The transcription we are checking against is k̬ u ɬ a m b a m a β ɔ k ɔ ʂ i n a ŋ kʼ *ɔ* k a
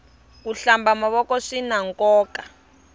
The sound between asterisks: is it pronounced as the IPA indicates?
no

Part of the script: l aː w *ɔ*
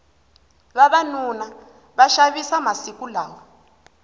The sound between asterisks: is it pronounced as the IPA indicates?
yes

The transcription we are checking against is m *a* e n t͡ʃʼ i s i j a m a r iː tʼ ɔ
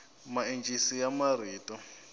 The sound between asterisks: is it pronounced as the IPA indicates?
yes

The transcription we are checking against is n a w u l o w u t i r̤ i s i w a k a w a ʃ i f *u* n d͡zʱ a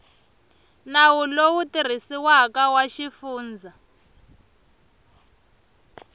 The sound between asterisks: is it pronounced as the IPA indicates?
no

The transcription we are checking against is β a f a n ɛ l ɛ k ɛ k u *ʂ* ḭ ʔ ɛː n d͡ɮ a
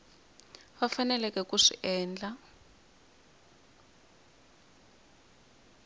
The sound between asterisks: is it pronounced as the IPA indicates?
yes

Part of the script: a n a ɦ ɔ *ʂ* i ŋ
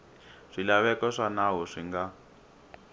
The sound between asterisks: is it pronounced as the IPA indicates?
yes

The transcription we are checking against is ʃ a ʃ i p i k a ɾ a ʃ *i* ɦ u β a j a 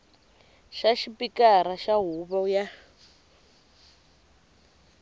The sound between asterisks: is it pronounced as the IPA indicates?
no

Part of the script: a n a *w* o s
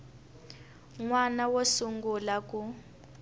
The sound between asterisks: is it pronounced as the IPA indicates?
yes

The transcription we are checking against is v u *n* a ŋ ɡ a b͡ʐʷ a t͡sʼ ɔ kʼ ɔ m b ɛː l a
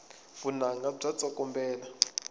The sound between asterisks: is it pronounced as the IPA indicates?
yes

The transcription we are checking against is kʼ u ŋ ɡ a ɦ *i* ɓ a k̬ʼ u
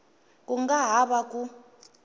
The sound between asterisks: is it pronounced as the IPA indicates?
no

